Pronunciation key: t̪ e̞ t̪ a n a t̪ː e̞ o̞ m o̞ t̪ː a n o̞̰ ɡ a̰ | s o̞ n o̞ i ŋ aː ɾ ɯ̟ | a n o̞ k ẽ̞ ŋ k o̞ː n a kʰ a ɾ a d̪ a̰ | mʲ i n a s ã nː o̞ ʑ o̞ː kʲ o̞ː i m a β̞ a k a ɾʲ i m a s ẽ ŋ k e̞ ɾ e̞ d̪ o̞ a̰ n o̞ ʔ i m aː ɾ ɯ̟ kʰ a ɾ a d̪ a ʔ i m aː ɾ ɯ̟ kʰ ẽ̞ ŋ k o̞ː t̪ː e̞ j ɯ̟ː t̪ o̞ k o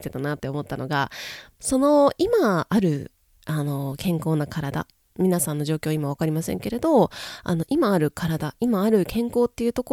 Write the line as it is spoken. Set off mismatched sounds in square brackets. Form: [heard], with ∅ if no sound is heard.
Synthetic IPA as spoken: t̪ e̞ t̪ a n a t̪ː e̞ o̞ m o̞ t̪ː a n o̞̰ ɡ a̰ | s o̞ n o̞ i [m] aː ɾ ɯ̟ | a n o̞ k ẽ̞ ŋ k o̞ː n a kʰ a ɾ a d̪ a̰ | mʲ i n a s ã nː o̞ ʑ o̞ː kʲ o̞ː i m a β̞ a k a ɾʲ i m a s ẽ ŋ k e̞ ɾ e̞ d̪ o̞ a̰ n o̞ ʔ i m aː ɾ ɯ̟ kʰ a ɾ a d̪ a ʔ i m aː ɾ ɯ̟ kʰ ẽ̞ ŋ k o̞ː t̪ː e̞ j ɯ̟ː t̪ o̞ k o